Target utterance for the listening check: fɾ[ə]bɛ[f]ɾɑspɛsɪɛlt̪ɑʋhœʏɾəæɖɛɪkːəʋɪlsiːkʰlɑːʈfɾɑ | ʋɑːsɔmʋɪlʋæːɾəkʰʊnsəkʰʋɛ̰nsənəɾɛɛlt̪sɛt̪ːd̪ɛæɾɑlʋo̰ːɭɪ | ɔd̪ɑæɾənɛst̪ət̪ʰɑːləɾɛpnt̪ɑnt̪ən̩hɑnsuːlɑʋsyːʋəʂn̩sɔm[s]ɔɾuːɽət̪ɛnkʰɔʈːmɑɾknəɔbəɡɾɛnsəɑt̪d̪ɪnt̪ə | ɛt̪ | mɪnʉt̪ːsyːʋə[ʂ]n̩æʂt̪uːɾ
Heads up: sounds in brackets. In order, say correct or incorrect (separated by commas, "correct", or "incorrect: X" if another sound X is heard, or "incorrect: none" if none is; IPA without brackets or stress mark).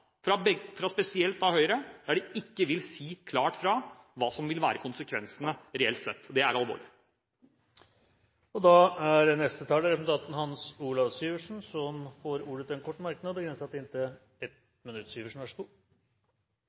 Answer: incorrect: ɑ, correct, incorrect: f, correct